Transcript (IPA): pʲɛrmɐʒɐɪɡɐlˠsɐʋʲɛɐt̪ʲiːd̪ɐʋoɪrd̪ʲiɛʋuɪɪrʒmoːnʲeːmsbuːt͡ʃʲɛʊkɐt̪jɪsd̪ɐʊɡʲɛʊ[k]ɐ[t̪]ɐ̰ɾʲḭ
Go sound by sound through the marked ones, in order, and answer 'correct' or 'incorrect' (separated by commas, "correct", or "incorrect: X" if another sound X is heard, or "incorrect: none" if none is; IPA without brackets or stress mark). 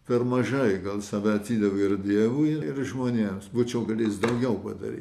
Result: incorrect: p, incorrect: d̪